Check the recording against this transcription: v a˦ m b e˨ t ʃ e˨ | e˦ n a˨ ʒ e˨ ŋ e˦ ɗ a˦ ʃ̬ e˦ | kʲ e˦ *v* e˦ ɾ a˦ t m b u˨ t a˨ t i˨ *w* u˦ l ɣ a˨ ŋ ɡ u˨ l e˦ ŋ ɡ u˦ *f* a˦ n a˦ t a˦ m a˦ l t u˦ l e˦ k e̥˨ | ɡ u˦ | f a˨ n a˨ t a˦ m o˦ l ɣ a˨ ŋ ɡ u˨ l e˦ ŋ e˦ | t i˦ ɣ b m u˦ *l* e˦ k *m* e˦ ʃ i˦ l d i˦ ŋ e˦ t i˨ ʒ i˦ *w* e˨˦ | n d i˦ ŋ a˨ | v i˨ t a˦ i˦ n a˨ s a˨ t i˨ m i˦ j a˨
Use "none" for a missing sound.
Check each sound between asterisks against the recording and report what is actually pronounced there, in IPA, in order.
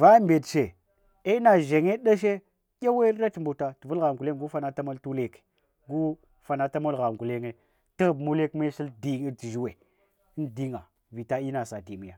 w, v, f, l, m, w

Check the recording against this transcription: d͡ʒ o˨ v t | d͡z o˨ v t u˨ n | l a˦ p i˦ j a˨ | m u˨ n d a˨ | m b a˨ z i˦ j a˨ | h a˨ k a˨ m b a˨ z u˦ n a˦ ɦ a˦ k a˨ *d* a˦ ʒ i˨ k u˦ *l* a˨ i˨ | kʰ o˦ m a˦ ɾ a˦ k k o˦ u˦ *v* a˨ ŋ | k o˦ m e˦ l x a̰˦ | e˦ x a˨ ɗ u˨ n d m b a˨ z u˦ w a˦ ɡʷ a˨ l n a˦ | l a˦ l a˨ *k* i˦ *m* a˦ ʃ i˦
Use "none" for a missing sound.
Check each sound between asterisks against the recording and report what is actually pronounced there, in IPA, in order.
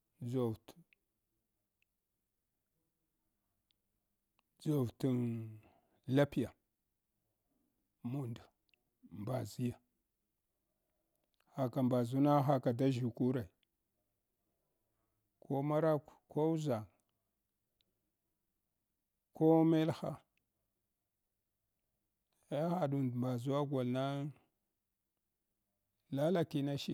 d, ɾ, z, k, n

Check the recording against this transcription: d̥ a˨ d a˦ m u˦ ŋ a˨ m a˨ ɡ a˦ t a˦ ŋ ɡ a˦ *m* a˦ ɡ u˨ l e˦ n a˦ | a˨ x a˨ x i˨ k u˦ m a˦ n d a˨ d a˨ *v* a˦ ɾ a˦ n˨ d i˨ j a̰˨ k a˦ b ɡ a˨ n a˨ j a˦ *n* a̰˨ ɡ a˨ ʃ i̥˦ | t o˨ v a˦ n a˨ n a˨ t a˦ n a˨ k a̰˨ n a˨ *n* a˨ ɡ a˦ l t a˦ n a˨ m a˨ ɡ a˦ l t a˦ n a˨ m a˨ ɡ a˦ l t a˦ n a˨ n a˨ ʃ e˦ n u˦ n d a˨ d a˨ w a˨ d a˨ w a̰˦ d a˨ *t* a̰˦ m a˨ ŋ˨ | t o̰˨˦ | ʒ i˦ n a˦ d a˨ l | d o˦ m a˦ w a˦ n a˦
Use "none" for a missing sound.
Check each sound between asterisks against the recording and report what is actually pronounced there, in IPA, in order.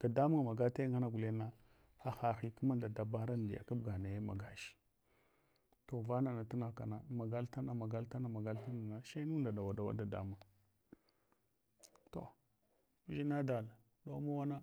n, b, m, m, d

